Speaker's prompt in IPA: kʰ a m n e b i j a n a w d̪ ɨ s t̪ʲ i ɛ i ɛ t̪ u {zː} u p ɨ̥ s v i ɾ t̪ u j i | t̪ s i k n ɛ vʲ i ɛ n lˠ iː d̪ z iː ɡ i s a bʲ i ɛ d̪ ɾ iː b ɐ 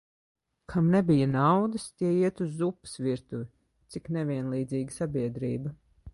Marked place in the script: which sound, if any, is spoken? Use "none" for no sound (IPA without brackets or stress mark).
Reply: zː